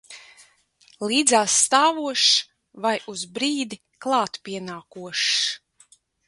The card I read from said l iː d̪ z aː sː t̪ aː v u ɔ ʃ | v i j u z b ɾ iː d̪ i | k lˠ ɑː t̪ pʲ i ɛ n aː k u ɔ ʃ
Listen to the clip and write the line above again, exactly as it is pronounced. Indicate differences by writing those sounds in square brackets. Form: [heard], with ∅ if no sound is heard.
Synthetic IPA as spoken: l iː d̪ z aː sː t̪ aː v u ɔ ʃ | v [a] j u z b ɾ iː d̪ i | k lˠ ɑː t̪ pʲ i ɛ n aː k u ɔ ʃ